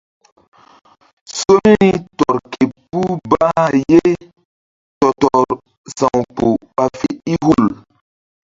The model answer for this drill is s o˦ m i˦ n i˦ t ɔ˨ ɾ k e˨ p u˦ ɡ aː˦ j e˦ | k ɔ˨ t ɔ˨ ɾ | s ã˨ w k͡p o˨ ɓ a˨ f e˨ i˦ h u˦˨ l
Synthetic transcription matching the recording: s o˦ m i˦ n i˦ t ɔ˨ ɾ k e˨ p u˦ b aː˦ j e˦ | t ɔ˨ t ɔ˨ ɾ | s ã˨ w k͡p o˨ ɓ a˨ f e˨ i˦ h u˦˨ l